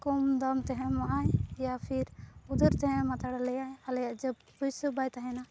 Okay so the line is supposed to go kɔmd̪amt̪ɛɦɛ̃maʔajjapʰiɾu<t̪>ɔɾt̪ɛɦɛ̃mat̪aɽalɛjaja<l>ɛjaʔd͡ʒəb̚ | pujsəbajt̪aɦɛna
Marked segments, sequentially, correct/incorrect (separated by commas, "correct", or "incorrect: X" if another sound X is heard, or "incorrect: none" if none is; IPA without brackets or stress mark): incorrect: d̪, correct